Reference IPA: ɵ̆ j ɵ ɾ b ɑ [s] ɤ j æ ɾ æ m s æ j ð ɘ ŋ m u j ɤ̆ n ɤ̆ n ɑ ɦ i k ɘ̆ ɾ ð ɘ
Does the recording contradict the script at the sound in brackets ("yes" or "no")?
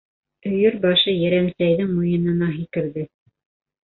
yes